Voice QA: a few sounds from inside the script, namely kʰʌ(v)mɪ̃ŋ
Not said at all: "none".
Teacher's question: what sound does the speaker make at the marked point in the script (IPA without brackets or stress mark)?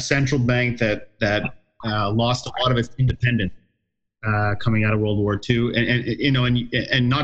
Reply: none